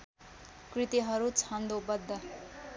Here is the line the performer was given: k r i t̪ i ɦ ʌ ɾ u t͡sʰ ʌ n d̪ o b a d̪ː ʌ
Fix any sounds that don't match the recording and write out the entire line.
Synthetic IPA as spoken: k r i t̪ i ɦ ʌ ɾ u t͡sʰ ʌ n d̪ o b ʌ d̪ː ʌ

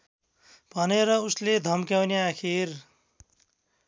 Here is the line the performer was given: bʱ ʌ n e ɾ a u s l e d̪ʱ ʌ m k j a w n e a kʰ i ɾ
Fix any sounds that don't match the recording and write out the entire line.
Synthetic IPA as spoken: bʱ ʌ n e ɾ ʌ u s l e d̪ʱ ʌ m k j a w n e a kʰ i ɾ

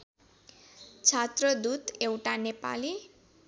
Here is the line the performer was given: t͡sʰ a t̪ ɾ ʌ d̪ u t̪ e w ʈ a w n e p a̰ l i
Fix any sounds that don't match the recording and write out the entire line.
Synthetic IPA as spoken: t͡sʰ a t̪ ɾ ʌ d̪ u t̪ e w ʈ a n e p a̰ l i

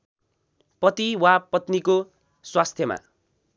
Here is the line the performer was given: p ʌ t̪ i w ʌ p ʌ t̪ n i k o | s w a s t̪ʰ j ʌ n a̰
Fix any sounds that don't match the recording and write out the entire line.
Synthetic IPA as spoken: p ʌ t̪ i w a p ʌ t̪ n i k o | s w a s t̪ʰ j ʌ m a̰

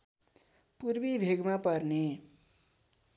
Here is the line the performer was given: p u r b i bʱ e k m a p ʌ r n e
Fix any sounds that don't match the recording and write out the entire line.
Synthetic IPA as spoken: p u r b i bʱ e ɡ m a p ʌ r n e

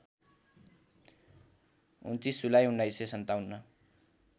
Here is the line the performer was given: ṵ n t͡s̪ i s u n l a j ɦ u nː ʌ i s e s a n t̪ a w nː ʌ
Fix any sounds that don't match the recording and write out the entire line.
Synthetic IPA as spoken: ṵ n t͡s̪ i s u l a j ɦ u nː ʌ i s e s ʌ n t̪ a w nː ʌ

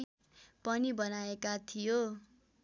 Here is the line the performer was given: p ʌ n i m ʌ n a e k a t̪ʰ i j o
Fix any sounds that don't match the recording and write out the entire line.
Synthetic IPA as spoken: p ʌ n i b ʌ n a e k a t̪ʰ i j o

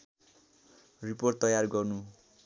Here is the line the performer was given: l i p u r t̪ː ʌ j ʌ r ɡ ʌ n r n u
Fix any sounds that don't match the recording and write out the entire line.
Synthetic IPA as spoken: r i p o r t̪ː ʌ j a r ɡ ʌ r n u

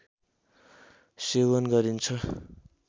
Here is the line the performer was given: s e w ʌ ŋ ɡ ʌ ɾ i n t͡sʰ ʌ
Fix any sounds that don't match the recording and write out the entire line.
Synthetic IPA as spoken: s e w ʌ n ɡ ʌ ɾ i n t͡sʰ ʌ

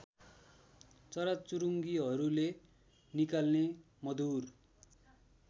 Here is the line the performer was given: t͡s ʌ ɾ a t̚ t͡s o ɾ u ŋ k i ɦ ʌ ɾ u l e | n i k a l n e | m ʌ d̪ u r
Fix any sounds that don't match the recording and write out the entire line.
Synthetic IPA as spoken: t͡s ʌ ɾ a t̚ t͡s u ɾ u ŋ ɡ i ɦ ʌ ɾ u l e | n i k a l n e | m ʌ d̪ u r

